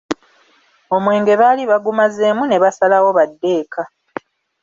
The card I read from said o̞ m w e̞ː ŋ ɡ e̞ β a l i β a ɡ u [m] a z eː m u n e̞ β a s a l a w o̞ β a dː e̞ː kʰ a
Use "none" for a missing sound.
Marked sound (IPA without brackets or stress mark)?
m